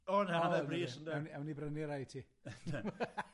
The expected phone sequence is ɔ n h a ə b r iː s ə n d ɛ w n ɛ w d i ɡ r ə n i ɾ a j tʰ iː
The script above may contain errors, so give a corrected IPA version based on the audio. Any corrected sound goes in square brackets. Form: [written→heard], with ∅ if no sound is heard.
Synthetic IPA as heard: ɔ n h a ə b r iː s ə n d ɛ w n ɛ w [d→n] i [ɡ→b] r ə n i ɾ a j tʰ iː